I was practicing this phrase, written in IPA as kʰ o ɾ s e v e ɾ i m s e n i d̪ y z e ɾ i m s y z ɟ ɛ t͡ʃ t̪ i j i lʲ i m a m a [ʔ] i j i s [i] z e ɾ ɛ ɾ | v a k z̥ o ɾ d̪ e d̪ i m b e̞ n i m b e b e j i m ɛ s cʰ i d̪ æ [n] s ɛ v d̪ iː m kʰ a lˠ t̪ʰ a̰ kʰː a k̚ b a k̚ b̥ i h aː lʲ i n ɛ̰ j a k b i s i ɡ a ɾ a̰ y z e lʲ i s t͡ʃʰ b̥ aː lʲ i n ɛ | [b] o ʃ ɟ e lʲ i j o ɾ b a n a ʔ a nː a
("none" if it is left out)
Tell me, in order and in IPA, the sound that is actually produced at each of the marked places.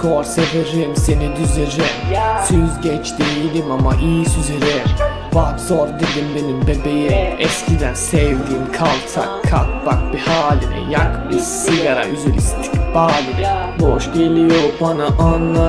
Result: ʔ, y, n, b

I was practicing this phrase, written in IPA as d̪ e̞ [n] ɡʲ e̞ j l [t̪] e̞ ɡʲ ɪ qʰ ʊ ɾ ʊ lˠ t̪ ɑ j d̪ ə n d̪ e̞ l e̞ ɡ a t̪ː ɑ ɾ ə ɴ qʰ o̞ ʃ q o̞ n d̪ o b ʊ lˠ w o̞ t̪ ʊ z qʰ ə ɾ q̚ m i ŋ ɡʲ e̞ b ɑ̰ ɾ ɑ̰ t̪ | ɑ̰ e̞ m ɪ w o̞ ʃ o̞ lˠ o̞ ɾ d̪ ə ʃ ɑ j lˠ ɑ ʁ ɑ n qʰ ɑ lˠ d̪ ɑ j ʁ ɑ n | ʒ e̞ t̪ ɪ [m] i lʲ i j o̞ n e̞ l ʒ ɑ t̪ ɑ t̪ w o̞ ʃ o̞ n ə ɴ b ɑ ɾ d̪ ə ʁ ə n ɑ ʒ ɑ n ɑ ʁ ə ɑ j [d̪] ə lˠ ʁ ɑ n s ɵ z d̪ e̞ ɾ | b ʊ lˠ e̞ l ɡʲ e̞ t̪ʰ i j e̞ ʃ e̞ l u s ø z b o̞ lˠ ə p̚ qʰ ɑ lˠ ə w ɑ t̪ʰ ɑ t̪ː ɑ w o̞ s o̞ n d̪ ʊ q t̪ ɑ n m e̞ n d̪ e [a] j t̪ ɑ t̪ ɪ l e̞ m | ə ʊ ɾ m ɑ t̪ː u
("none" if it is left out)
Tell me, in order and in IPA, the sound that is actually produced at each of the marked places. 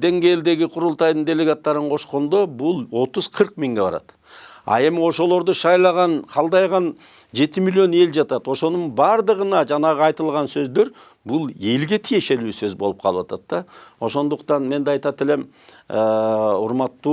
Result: ŋ, d̪, m, t̪, ɑ

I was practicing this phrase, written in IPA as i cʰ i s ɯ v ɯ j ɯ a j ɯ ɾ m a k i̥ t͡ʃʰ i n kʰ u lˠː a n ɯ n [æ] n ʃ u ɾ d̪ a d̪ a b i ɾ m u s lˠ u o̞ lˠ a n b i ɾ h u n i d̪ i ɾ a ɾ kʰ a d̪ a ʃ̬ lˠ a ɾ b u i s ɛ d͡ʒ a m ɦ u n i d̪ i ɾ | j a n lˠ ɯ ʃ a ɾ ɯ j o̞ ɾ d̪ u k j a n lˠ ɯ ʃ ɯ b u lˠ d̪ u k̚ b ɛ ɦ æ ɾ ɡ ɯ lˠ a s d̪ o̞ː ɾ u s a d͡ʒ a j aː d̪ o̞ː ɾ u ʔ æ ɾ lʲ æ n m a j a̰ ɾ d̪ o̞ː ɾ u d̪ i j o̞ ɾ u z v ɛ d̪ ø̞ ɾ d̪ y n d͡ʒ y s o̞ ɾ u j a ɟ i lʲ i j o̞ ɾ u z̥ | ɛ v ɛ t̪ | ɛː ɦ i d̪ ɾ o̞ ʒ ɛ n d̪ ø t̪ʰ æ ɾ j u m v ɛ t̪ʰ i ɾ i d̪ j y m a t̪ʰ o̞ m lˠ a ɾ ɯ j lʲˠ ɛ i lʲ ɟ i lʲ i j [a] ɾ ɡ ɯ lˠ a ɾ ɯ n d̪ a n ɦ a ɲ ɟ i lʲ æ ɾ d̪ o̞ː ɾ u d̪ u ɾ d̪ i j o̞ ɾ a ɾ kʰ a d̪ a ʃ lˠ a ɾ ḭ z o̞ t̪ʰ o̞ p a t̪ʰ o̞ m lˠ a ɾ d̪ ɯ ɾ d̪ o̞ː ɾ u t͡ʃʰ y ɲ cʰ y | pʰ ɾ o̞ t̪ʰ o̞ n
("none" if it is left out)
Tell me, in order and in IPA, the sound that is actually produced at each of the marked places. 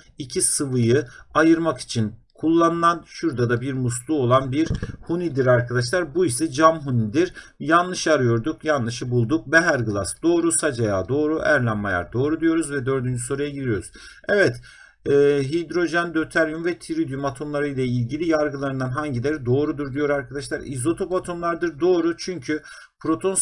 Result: a, a

